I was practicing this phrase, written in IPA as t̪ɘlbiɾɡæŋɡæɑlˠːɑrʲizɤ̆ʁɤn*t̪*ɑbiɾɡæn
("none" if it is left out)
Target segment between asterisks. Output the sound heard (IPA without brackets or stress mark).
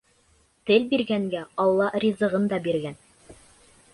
d̪